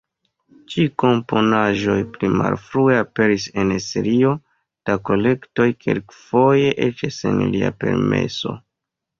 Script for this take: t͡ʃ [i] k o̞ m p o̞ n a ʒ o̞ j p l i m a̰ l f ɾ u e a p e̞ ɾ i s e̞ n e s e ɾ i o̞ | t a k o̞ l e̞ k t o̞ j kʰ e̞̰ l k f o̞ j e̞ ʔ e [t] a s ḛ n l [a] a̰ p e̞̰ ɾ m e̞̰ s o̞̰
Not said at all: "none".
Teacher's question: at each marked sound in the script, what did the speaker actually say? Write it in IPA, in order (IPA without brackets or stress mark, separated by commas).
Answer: i, t͡ʃ, i